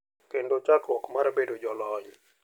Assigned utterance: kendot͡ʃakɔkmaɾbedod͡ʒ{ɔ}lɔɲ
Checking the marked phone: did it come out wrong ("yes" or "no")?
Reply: no